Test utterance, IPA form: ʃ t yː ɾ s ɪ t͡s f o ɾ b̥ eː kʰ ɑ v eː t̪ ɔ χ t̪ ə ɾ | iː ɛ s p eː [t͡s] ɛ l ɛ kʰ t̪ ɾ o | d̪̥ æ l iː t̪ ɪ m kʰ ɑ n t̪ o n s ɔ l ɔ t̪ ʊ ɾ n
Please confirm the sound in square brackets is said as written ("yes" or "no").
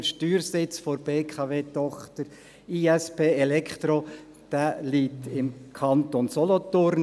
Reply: no